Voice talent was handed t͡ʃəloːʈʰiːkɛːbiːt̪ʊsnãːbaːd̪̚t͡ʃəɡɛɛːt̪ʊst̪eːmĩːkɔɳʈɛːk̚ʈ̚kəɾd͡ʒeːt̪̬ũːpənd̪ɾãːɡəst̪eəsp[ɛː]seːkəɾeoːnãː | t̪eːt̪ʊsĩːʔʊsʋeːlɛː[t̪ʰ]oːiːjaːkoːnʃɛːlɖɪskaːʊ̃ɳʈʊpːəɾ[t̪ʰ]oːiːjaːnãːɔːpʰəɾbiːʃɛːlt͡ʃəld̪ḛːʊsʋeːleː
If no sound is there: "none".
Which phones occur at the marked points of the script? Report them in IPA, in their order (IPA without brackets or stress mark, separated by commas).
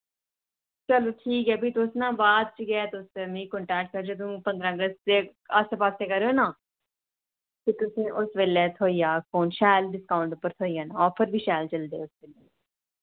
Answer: aː, t̪ʰ, t̪ʰ